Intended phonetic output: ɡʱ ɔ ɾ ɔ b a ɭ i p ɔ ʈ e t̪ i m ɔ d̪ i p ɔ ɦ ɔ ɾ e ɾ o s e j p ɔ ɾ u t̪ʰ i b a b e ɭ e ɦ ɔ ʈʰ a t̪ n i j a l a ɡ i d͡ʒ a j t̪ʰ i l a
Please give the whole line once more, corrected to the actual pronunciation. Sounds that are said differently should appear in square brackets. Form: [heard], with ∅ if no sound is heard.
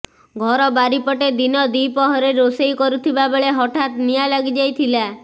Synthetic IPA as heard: ɡʱ ɔ ɾ ɔ b a [ɾ] i p ɔ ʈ e [d̪] i [n] ɔ d̪ i p ɔ ɦ ɔ ɾ e ɾ o s e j [k] ɔ ɾ u t̪ʰ i b a b e ɭ e ɦ ɔ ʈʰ a t̪ n i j a l a ɡ i d͡ʒ a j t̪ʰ i l a

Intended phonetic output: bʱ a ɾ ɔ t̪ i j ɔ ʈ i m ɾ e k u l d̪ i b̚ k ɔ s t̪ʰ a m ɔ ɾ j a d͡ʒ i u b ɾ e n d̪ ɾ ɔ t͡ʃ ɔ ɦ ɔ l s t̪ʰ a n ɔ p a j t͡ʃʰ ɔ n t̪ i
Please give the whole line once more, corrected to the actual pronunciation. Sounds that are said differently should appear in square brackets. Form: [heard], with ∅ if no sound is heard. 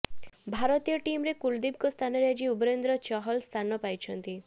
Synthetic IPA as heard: bʱ a ɾ ɔ t̪ i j ɔ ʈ i m ɾ e k u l d̪ i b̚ k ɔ s t̪ʰ a [n] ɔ ɾ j a d͡ʒ i u b ɾ e n d̪ ɾ ɔ t͡ʃ ɔ ɦ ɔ l s t̪ʰ a n ɔ p a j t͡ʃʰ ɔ n t̪ i

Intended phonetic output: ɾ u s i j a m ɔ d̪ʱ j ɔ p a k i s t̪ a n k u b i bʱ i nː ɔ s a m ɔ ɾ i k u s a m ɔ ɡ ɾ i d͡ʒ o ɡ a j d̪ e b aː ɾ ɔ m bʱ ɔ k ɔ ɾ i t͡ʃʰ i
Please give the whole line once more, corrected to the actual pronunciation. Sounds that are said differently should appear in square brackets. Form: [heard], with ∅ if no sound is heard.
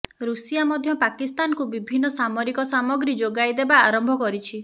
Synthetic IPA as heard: ɾ u s i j a m ɔ d̪ʱ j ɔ p a k i s t̪ a n k u b i bʱ i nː ɔ s a m ɔ ɾ i k [ɔ] s a m ɔ ɡ ɾ i d͡ʒ o ɡ a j d̪ e b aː ɾ ɔ m bʱ ɔ k ɔ ɾ i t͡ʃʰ i

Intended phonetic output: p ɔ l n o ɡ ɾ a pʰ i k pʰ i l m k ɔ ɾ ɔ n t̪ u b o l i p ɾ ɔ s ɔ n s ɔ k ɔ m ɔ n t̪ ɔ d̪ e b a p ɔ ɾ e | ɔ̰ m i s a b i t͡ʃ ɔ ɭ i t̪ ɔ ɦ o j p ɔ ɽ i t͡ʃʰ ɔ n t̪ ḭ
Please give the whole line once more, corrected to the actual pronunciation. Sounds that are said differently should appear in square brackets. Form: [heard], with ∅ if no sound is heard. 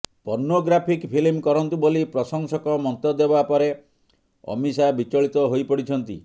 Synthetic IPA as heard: p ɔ [ɾ] n o ɡ ɾ a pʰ i k pʰ i l m k ɔ ɾ ɔ n t̪ u b o l i p ɾ ɔ s ɔ [ŋ] s ɔ k ɔ m ɔ n t̪ ɔ d̪ e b a p ɔ ɾ e | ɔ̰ m i s a b i t͡ʃ ɔ ɭ i t̪ ɔ ɦ o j p ɔ ɽ i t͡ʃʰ ɔ n t̪ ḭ

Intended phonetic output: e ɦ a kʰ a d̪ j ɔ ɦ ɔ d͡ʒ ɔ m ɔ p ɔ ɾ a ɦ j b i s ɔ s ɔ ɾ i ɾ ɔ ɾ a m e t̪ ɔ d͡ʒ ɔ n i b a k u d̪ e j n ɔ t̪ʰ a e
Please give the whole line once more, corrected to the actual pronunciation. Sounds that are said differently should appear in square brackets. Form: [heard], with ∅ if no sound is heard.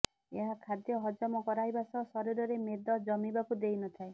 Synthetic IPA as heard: e ɦ a kʰ a d̪ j ɔ ɦ ɔ d͡ʒ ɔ m ɔ [k] ɔ ɾ a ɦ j b [a] s ɔ s ɔ ɾ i ɾ ɔ ɾ [e] m e [d̪] ɔ d͡ʒ ɔ [m] i b a k u d̪ e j n ɔ t̪ʰ a e

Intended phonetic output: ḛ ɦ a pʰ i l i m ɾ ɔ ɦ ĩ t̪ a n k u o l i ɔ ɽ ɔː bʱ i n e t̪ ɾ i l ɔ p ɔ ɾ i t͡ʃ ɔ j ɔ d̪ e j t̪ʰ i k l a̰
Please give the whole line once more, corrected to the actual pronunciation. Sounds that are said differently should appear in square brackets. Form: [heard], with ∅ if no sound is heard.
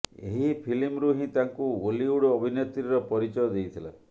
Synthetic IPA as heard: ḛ ɦ [i] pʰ i l i m ɾ [u] ɦ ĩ t̪ a [ŋ] k u o l i [u] ɽ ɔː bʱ i n e t̪ ɾ i [ɾ] ɔ p ɔ ɾ i t͡ʃ ɔ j ɔ d̪ e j t̪ʰ i [∅] l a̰

